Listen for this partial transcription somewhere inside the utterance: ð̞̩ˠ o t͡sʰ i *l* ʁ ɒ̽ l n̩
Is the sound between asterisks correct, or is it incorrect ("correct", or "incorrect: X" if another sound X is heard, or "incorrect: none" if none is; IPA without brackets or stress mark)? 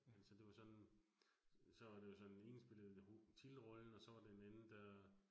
correct